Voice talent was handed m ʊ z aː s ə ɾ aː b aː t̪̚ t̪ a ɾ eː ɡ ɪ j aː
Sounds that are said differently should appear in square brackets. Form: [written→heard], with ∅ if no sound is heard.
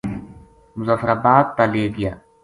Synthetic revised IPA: m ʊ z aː [s→f] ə ɾ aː b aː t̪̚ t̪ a [ɾ→l] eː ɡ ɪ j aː